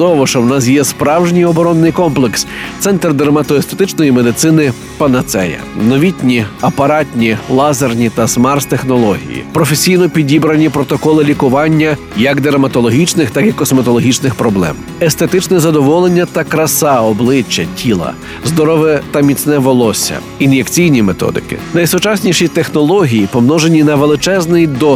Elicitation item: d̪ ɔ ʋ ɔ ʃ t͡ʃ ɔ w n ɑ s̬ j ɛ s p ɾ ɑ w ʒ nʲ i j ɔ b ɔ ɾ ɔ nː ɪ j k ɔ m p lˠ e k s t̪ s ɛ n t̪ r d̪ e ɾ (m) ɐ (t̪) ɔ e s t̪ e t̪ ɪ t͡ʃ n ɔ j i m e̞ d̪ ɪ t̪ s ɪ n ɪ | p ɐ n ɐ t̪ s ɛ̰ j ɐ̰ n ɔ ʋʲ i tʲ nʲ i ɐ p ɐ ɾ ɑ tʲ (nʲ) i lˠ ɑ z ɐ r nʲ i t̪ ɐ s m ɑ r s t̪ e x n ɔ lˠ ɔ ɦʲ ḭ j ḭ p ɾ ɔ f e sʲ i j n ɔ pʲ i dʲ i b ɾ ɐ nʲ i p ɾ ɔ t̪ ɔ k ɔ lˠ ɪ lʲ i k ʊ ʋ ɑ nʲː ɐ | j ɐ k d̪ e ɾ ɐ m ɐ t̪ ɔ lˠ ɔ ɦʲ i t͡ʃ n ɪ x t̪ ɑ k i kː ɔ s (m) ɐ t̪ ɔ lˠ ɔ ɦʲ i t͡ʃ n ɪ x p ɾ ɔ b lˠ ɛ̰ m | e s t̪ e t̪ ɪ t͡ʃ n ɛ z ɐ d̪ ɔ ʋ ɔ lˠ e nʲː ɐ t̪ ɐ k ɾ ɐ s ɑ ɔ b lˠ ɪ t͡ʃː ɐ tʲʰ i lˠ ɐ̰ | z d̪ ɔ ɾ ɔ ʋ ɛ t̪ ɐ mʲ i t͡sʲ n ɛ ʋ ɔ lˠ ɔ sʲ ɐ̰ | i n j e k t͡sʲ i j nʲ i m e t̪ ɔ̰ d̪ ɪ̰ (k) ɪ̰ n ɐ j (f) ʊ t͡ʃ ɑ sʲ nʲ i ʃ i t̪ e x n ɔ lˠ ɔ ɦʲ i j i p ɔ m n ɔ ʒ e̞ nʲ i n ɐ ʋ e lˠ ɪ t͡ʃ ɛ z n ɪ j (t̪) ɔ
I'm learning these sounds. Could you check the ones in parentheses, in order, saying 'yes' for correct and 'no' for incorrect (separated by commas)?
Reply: yes, yes, yes, yes, yes, no, no